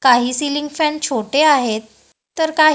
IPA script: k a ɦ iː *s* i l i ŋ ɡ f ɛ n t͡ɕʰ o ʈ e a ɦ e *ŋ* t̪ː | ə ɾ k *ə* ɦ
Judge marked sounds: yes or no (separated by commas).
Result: yes, no, no